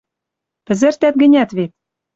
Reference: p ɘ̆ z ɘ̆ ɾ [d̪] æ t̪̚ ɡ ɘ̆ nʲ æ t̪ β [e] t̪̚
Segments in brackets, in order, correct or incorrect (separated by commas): incorrect, correct